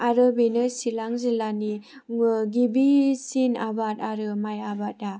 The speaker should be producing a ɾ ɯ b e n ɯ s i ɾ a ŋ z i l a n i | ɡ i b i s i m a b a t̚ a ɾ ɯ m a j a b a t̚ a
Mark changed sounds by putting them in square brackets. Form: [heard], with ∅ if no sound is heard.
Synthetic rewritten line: a ɾ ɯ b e n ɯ s i [l] a ŋ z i l a n i | ɡ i b i s i [n] a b a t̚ a ɾ ɯ m a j a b a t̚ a